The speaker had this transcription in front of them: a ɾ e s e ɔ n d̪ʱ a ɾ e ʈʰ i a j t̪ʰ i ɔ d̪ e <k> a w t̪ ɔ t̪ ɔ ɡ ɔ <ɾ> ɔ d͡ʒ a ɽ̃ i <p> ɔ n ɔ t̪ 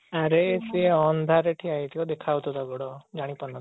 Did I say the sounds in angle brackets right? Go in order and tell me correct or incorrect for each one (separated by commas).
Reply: incorrect, incorrect, correct